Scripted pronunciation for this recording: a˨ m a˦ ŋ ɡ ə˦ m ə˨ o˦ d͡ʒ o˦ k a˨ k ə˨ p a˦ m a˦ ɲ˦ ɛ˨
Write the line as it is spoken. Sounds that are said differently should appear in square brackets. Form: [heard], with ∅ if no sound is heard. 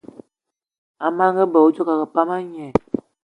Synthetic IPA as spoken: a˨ m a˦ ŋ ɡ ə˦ [b] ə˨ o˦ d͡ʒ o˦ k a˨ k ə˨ p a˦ m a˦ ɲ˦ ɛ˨